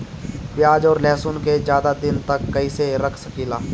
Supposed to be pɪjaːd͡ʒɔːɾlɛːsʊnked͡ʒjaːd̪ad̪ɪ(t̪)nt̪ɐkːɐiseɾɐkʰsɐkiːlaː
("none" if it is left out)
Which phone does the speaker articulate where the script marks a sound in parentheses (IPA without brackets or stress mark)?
none